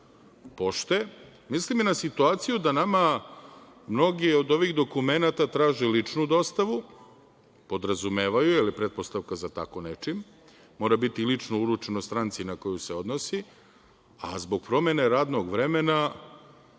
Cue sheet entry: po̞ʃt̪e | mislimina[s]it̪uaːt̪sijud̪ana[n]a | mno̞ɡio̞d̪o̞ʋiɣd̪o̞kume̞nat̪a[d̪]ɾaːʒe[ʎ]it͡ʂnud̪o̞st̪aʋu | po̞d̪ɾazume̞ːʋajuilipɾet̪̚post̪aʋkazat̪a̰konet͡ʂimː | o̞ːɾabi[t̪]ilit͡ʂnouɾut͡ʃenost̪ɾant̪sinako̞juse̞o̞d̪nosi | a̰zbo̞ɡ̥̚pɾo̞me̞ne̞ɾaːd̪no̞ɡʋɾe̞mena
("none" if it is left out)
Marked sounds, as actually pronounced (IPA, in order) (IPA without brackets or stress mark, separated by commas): s, m, t̪, l, t̪